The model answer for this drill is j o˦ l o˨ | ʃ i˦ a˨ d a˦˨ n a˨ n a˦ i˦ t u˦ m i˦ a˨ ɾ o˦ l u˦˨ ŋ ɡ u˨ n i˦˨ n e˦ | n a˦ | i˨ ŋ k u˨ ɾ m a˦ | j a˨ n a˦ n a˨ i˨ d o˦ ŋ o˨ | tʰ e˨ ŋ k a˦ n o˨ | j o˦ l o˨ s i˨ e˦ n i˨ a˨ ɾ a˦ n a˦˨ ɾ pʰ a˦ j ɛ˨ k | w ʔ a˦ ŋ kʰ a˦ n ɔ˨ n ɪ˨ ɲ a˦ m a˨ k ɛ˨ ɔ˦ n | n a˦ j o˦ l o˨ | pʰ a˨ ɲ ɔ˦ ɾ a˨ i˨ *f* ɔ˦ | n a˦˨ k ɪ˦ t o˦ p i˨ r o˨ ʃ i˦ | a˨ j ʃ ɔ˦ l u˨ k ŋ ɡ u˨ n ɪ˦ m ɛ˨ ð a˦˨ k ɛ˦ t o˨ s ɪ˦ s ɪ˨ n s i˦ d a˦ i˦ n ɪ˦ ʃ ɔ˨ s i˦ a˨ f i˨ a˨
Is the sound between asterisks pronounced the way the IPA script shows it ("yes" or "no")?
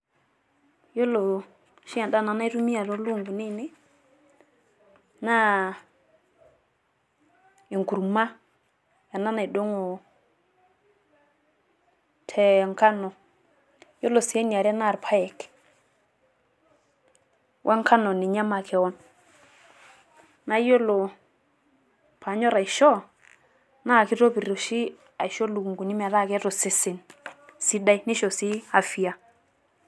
no